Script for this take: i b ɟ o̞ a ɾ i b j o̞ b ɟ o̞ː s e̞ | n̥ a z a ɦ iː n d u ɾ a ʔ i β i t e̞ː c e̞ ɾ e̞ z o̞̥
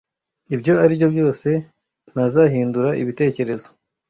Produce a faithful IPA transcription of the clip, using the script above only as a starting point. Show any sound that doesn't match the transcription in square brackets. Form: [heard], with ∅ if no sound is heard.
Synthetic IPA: i b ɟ o̞ a ɾ i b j o̞ b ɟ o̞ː s e̞ | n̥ a z a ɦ iː n d u ɾ a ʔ i β i t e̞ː c e̞ ɾ e̞ z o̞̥